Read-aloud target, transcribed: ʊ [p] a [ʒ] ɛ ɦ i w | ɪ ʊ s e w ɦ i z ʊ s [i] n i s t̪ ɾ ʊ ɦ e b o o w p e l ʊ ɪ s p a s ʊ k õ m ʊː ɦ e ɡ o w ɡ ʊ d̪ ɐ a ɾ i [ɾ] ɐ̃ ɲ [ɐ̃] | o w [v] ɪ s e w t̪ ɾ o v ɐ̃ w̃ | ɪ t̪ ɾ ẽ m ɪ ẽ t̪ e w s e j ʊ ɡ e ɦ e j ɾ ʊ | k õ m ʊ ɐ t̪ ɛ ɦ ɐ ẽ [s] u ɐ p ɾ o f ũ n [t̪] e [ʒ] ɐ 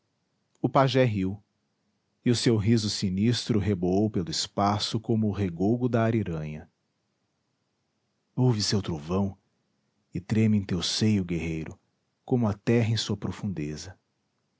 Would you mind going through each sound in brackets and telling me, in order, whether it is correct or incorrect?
correct, correct, correct, correct, incorrect, correct, correct, incorrect, incorrect

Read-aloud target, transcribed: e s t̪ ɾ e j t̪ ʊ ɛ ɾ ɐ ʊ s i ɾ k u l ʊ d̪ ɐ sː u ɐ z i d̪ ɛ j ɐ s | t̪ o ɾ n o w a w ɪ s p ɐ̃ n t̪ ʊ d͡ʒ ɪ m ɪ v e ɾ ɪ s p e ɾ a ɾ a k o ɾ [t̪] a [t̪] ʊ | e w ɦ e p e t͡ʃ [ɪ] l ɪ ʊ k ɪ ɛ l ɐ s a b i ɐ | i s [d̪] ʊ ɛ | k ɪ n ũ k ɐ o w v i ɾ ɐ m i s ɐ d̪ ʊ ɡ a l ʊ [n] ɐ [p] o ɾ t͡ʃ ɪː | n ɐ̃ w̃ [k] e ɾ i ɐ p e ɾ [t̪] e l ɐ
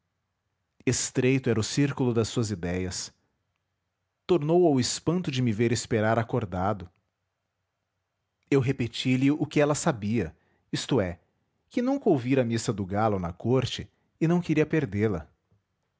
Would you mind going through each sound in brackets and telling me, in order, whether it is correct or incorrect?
incorrect, incorrect, incorrect, incorrect, correct, incorrect, correct, incorrect

